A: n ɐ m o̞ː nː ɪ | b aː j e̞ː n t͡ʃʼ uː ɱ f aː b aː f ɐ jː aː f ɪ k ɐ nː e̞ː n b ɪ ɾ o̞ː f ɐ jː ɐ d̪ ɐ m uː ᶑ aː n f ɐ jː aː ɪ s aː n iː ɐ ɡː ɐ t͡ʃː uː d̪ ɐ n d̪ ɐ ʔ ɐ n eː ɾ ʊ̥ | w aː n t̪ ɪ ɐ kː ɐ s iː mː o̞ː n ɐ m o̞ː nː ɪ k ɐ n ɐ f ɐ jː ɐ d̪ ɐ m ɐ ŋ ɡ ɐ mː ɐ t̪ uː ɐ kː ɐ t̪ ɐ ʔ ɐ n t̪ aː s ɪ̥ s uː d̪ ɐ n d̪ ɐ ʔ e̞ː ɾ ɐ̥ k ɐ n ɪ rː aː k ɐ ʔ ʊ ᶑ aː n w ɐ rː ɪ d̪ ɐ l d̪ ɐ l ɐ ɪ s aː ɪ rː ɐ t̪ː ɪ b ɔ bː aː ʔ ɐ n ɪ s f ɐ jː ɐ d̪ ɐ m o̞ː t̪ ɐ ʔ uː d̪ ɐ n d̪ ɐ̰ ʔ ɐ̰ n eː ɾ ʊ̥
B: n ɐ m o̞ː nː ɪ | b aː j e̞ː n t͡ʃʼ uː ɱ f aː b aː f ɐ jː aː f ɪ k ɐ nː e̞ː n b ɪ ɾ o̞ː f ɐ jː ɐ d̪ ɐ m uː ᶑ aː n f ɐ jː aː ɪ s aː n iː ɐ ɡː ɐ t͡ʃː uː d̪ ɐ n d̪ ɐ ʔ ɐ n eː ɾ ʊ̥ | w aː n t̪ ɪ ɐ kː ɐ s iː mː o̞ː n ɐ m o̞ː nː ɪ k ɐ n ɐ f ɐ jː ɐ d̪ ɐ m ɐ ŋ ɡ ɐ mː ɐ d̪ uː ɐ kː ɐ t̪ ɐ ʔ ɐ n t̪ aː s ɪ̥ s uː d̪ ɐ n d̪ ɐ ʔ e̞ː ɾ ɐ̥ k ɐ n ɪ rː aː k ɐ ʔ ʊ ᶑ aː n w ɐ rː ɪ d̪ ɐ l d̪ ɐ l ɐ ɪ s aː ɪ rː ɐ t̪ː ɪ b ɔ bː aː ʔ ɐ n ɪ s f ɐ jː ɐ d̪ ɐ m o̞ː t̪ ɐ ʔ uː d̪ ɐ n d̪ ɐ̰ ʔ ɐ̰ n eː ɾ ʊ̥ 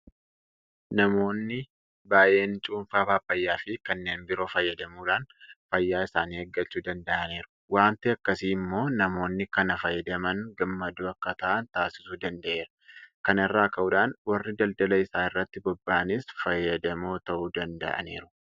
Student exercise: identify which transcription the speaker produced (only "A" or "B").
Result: B